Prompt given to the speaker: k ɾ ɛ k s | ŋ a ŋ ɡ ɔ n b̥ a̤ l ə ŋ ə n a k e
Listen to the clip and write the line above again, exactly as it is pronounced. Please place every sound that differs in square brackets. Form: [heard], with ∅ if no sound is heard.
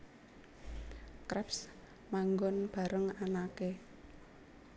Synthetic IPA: k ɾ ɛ [p] s | [m] a ŋ ɡ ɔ n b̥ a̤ [ɾ] ə ŋ [a] n a k e